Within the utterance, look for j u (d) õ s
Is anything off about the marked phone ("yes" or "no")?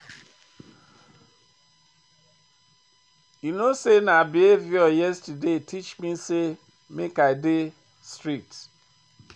yes